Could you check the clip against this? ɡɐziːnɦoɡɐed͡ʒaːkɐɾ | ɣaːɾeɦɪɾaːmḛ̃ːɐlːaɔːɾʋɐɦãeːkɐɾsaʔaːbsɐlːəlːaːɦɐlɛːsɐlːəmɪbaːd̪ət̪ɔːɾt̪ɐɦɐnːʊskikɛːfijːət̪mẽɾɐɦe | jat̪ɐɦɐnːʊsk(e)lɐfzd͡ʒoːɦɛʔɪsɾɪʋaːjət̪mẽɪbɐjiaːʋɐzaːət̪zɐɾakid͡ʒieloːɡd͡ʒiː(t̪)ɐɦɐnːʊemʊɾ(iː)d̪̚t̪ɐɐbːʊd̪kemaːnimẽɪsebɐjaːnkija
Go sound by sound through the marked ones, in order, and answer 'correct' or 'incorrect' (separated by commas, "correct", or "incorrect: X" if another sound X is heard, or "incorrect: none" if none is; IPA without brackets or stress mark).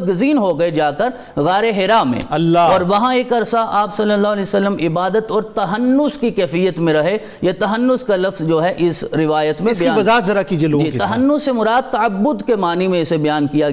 incorrect: a, correct, incorrect: aː